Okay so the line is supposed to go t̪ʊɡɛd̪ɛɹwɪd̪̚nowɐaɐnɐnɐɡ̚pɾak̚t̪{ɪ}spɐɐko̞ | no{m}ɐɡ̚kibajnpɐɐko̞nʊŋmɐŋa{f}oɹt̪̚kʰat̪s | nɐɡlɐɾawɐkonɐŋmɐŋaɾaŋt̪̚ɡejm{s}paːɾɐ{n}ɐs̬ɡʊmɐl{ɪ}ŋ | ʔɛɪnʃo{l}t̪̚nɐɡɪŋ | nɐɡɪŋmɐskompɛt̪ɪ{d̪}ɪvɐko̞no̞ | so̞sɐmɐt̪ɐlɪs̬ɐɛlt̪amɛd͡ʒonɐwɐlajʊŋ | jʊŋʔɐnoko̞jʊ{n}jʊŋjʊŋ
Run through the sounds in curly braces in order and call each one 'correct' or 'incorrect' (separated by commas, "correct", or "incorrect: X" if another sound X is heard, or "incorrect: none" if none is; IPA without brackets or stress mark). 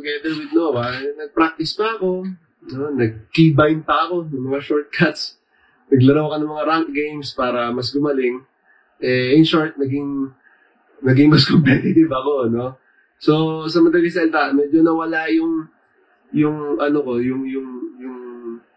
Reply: correct, incorrect: n, incorrect: ʃ, correct, incorrect: m, correct, incorrect: ɹ, incorrect: t̪, incorrect: ŋ